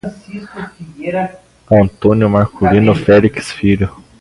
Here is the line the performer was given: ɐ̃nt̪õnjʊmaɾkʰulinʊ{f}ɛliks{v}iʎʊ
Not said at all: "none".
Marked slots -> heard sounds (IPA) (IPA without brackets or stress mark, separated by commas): f, f